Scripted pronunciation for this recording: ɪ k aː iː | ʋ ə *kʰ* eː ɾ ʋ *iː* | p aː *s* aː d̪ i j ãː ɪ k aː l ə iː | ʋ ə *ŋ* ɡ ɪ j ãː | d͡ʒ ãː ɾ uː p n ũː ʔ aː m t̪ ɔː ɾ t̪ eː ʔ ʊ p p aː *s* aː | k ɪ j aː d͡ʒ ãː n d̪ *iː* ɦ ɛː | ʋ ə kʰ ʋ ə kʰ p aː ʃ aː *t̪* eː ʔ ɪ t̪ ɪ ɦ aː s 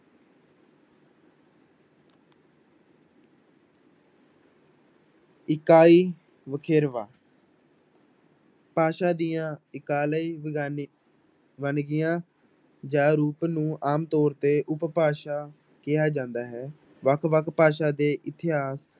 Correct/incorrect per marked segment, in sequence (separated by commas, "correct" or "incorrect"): correct, incorrect, incorrect, incorrect, incorrect, incorrect, incorrect